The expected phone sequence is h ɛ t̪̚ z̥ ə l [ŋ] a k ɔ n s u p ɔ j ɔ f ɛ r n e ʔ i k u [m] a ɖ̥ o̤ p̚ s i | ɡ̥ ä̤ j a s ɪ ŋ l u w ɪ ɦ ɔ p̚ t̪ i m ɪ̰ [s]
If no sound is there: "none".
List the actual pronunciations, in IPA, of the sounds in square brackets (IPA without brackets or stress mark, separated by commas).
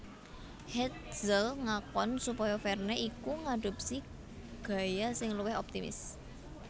ŋ, ŋ, s